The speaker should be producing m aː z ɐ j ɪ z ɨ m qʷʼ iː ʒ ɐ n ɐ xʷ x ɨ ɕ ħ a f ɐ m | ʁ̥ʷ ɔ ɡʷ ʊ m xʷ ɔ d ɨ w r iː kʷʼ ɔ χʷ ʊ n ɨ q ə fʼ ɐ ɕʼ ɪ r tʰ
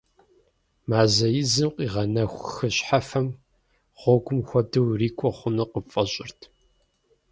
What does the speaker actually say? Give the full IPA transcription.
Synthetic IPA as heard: m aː z ɐ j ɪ z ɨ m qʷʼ iː ʁ ɐ n ɐ xʷ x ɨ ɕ ħ a f ɐ m | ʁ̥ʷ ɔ ɡʷ ʊ m xʷ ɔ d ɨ w r iː kʷʼ ɔ χʷ ʊ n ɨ q ə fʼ ɐ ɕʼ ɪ r tʰ

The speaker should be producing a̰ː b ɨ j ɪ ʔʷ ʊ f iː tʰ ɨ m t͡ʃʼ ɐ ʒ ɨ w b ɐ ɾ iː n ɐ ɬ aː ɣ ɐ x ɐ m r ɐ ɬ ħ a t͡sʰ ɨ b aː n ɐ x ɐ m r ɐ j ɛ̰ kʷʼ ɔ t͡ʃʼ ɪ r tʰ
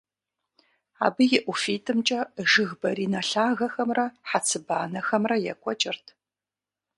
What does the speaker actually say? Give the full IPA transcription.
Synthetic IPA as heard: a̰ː b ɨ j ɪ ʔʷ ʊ f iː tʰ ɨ m t͡ʃʼ ɐ ʒ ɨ ɣ b ɐ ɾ iː n ɐ ɬ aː ɣ ɐ x ɐ m r ɐ ħ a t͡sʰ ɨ b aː n ɐ x ɐ m r ɐ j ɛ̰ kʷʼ ɔ t͡ʃʼ ɪ r tʰ

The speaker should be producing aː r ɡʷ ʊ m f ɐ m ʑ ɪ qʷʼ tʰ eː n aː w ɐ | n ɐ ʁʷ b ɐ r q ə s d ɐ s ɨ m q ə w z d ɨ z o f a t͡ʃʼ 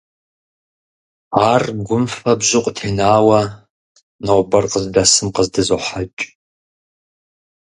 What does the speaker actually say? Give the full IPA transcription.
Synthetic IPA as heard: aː r ɡʷ ʊ m f ɐ b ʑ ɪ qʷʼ tʰ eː n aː w ɐ | n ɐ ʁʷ b ɐ r q ə z d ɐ s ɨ m q ə z d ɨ z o ħ a t͡ʃʼ

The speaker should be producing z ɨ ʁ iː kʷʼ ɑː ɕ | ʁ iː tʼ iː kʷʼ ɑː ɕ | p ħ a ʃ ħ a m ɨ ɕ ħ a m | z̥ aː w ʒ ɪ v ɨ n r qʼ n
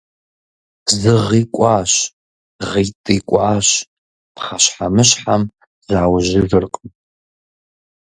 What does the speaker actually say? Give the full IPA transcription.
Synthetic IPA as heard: z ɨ ʁ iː kʷʼ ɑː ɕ | ʁ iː tʼ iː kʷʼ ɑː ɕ | p χ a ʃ ħ a m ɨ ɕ ħ a m | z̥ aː w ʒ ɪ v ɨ r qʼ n

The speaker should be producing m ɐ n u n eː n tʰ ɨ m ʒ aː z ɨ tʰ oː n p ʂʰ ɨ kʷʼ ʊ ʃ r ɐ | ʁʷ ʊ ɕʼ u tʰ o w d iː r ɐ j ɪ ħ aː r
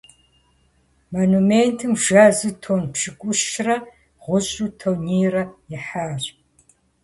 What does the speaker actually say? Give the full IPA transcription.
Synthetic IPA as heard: m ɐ n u m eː n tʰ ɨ m ʒ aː z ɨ tʰ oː n p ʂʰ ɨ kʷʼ ʊ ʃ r ɐ | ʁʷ ʊ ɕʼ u tʰ o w n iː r ɐ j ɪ ħ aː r

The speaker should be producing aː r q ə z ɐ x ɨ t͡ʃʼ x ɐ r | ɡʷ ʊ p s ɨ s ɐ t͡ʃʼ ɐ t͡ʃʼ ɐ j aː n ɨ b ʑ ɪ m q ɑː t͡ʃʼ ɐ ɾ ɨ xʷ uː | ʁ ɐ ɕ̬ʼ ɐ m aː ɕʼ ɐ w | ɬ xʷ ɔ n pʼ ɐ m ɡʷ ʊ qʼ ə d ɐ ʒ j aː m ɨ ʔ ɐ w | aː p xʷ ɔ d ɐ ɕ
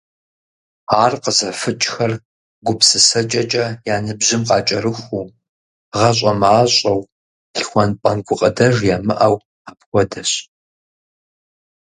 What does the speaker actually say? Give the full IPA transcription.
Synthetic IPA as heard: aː r q ə z ɐ f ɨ t͡ʃʼ x ɐ r | ɡʷ ʊ p s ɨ s ɐ t͡ʃʼ ɐ t͡ʃʼ ɐ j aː n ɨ b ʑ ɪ m q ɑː t͡ʃʼ ɐ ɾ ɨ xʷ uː | ʁ ɐ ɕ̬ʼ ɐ m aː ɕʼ ɐ w | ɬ xʷ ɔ n pʼ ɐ n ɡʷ ʊ qʼ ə d ɐ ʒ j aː m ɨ ʔ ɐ w | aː p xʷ ɔ d ɐ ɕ

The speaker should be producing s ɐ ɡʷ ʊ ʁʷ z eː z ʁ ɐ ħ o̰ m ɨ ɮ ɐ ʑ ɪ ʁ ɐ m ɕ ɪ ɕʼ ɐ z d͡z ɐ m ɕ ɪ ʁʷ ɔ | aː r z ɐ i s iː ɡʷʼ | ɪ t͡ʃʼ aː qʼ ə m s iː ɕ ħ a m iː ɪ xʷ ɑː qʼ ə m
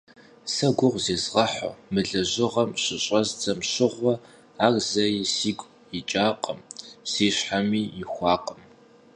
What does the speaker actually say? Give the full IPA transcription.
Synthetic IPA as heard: s ɐ ɡʷ ʊ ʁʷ z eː z ʁ ɐ ħ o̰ m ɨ ɮ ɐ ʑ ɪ ʁ ɐ m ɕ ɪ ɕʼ ɐ z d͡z ɐ m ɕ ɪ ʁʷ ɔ | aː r z ɐ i s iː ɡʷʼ | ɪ t͡ʃʼ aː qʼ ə m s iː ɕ ħ a m iː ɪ xʷ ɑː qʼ ə m

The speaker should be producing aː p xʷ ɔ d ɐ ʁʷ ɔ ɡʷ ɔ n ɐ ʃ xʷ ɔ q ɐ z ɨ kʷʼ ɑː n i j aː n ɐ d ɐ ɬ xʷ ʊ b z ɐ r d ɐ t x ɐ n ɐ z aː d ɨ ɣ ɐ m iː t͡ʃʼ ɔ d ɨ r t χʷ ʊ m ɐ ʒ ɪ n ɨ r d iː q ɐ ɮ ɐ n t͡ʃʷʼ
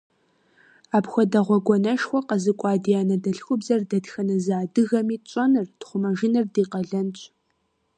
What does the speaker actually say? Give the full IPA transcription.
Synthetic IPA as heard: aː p xʷ ɔ d ɐ ʁʷ ɔ ɡʷ ɔ n ɐ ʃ xʷ ɔ q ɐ z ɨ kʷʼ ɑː d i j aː n ɐ d ɐ ɬ xʷ ʊ b z ɐ r d ɐ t x ɐ n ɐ z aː d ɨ ɣ ɐ m iː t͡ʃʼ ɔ n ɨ r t χʷ ʊ m ɐ ʒ ɪ n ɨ r d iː q ɐ ɮ ɐ n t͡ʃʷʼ

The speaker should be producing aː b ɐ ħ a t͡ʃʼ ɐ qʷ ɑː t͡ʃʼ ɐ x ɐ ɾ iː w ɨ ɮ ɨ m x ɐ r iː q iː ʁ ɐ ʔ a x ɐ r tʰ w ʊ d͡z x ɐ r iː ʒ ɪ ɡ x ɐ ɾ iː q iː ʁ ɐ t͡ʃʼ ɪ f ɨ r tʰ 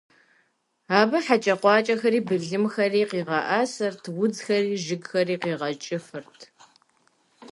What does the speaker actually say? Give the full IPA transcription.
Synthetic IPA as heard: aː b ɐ ħ a t͡ʃʼ ɐ qʷ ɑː t͡ʃʼ ɐ x ɐ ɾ iː b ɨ ɮ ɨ m x ɐ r iː q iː ʁ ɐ ʔ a s ɐ r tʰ w ʊ d͡z x ɐ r iː ʒ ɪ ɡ x ɐ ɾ iː q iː ʁ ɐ t͡ʃʼ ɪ f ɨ r tʰ

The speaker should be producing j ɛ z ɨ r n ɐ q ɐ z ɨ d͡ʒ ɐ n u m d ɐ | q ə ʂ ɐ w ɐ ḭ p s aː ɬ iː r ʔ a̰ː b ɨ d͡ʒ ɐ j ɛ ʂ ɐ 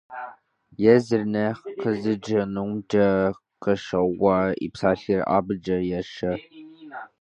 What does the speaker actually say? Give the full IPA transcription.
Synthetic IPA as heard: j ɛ z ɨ r n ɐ q ə z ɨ d͡ʒ ɐ n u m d ɐ | q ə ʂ ɐ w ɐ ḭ p s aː ɬ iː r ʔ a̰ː b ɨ d͡ʒ ɐ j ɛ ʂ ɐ

